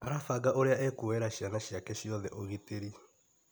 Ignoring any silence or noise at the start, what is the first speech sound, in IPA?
a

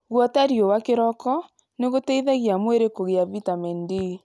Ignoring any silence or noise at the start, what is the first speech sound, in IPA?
ɣ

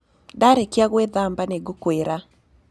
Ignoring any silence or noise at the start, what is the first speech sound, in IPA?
d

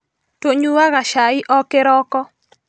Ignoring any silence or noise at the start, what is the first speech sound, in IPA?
t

